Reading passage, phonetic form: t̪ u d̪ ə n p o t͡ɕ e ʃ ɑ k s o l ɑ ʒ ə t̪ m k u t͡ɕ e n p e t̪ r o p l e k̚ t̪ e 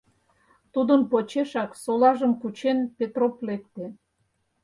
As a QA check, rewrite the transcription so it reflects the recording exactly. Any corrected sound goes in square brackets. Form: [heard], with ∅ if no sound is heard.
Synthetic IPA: t̪ u d̪ ə n p o t͡ɕ e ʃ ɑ k s o l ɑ ʒ ə [∅] m k u t͡ɕ e n p e t̪ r o p l e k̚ t̪ e